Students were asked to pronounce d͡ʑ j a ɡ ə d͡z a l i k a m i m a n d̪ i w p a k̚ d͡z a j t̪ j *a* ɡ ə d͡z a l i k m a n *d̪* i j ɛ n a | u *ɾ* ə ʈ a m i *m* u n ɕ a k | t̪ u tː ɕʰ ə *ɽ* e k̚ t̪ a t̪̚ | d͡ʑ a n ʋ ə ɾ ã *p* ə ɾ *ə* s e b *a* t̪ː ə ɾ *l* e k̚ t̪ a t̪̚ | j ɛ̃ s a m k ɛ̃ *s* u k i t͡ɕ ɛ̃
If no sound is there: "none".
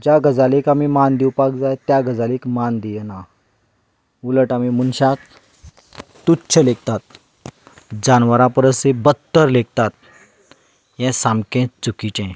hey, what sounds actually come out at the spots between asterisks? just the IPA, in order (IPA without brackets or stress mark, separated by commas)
a, d̪, l, m, l, p, ə, ə, l, t͡s